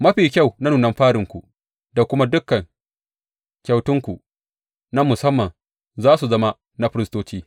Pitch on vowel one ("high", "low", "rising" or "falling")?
high